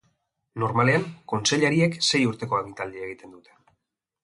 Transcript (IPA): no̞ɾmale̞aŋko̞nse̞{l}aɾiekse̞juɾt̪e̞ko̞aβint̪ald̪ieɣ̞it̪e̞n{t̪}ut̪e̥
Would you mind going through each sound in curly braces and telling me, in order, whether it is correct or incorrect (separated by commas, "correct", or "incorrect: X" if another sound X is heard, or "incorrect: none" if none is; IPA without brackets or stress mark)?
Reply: incorrect: ʎ, incorrect: d̪